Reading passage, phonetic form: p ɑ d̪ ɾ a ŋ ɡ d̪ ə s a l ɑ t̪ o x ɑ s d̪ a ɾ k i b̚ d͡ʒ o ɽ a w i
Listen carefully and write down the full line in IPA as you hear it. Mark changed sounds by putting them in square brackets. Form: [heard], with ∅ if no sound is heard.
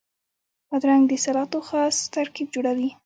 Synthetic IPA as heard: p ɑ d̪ ɾ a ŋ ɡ d̪ ə s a l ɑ t̪ o x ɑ s [t̪] a ɾ k i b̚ d͡ʒ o ɽ a w i